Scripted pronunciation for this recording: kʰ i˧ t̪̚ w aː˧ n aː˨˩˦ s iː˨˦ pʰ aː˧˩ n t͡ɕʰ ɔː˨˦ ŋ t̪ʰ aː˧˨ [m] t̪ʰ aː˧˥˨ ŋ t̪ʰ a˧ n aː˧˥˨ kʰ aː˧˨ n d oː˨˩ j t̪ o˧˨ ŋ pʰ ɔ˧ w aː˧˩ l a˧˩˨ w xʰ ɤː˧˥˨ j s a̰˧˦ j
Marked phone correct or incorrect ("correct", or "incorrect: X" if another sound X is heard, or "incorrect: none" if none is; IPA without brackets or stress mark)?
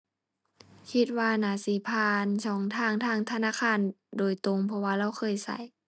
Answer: incorrect: ŋ